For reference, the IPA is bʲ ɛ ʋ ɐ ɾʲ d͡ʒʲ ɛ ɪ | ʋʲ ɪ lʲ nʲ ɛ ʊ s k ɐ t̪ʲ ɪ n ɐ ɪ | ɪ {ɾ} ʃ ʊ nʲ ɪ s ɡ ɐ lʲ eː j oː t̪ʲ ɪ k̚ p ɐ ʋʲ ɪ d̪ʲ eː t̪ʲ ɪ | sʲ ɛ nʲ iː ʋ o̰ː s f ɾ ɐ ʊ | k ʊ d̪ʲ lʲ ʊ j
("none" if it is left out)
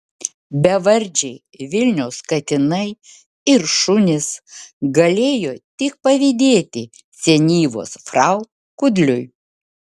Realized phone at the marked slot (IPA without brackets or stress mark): ɾ